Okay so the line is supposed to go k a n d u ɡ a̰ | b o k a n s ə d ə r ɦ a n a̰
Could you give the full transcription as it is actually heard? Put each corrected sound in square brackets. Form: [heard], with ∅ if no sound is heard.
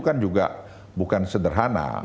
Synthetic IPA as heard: k a n [d͡ʒ] u ɡ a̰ | b [u] k a n s ə d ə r ɦ a n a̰